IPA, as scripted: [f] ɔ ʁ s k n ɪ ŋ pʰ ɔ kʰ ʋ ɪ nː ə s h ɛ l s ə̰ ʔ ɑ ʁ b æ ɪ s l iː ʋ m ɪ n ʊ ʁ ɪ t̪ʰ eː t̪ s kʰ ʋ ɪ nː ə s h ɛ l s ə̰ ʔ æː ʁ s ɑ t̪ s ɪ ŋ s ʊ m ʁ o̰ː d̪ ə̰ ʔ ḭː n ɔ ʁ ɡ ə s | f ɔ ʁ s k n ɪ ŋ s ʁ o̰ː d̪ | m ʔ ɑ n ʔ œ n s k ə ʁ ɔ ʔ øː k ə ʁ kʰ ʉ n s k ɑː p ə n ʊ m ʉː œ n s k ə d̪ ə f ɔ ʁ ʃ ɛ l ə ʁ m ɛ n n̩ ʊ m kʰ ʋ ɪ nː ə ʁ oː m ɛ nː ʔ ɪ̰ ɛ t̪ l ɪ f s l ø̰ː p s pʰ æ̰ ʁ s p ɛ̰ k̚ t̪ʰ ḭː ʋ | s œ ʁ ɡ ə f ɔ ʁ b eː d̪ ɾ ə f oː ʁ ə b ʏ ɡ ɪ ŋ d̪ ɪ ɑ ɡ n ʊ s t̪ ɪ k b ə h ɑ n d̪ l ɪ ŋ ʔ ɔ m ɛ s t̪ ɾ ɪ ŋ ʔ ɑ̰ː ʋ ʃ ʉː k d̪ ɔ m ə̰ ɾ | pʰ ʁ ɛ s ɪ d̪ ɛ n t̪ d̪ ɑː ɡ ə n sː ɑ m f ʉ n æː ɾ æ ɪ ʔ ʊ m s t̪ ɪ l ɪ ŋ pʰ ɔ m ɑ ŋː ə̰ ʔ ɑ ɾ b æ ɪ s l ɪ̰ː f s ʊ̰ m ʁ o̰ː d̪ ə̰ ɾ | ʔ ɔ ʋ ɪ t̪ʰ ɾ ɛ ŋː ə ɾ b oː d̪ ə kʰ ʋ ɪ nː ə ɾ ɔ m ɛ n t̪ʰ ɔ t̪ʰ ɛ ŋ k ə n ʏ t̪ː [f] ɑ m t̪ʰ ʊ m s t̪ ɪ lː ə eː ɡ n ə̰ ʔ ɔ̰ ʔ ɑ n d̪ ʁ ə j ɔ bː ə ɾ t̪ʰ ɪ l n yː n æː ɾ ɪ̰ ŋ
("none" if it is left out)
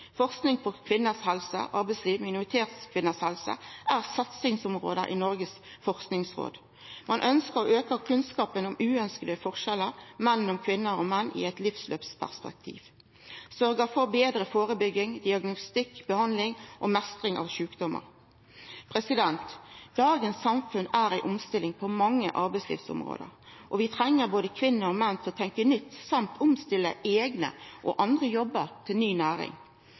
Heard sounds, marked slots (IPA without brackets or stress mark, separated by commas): f, s